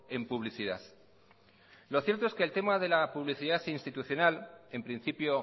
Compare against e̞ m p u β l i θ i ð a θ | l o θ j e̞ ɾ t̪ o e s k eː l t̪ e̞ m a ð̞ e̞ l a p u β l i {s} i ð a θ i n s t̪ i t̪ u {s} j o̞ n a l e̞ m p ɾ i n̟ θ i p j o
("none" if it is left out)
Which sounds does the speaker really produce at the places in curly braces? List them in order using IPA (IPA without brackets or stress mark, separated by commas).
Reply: θ, θ